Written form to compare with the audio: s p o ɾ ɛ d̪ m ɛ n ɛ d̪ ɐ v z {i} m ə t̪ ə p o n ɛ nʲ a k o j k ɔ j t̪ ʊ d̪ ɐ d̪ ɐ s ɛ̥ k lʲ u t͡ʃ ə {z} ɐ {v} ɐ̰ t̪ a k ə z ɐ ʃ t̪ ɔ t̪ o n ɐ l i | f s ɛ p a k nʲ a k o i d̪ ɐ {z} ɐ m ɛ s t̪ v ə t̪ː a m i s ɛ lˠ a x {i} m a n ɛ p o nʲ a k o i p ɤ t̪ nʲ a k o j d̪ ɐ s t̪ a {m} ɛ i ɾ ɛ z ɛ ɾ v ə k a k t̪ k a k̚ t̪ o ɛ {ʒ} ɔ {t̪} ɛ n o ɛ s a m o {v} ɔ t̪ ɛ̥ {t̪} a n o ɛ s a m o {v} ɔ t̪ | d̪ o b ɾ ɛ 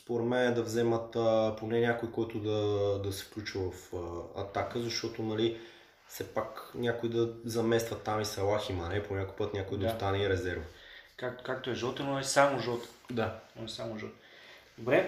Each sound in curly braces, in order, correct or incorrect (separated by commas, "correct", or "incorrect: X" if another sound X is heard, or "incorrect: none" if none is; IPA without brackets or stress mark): incorrect: ɛ, incorrect: v, incorrect: f, correct, correct, incorrect: n, correct, correct, incorrect: ʒ, incorrect: d̪, incorrect: ʒ